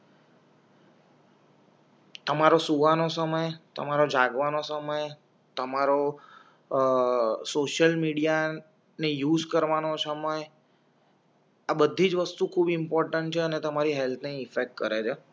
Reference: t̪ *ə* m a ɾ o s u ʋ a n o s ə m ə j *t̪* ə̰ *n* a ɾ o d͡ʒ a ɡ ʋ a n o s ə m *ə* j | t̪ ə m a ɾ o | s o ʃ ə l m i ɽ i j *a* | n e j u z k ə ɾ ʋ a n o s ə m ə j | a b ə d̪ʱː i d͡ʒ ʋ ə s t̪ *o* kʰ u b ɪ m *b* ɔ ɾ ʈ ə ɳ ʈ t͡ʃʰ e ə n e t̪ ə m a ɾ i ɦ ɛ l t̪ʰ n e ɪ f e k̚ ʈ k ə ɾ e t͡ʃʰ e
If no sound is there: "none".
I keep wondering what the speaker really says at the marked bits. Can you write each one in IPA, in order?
ə, t̪, m, ə, a, u, p

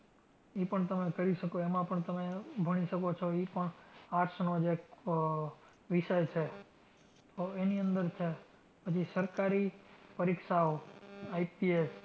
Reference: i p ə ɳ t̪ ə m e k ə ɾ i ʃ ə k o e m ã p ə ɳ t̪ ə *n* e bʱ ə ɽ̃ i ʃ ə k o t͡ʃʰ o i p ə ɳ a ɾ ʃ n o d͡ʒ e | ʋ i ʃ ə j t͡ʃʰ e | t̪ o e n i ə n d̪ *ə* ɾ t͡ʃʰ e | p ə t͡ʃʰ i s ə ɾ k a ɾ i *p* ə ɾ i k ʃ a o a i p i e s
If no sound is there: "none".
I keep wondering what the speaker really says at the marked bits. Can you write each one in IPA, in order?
m, ə, p

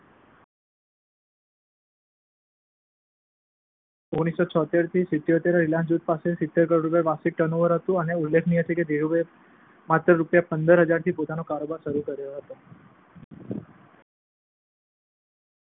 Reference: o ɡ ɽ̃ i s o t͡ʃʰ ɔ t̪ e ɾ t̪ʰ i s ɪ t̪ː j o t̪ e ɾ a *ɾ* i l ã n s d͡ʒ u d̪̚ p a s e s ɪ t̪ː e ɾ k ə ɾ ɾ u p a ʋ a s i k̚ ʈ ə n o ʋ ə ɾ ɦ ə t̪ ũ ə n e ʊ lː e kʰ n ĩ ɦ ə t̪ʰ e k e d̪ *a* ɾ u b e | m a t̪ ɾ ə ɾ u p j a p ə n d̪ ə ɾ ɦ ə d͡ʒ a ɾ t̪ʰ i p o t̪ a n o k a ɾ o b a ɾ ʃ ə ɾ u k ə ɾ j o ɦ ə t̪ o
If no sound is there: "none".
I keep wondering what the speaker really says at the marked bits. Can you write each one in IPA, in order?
ɾ, e

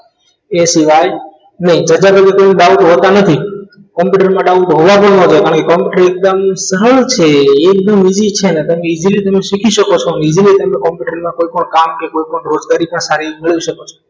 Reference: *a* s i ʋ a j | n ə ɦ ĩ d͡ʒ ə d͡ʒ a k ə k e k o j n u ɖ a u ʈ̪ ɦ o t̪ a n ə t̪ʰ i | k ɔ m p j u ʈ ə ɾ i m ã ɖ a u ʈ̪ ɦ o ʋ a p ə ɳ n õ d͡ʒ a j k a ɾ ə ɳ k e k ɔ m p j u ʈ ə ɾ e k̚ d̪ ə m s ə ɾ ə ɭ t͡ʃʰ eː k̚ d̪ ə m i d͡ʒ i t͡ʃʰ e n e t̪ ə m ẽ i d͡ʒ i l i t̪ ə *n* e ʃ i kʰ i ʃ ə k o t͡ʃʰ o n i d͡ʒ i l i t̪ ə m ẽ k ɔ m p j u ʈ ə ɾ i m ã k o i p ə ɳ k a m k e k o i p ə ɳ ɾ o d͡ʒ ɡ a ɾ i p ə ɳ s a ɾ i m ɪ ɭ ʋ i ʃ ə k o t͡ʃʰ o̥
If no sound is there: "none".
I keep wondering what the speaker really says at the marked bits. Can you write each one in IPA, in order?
e, m

